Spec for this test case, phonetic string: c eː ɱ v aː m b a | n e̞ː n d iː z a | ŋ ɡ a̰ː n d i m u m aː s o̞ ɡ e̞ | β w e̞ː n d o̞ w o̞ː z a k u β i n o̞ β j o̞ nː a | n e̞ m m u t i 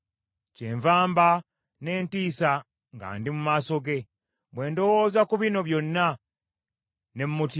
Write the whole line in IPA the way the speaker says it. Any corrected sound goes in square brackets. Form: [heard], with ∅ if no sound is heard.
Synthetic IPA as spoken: c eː ɱ v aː m b a | n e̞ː n [t] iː [s] a | ŋ ɡ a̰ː n d i m u m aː s o̞ ɡ e̞ | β w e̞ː n d o̞ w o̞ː z a k u β i n o̞ β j o̞ nː a | n e̞ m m u t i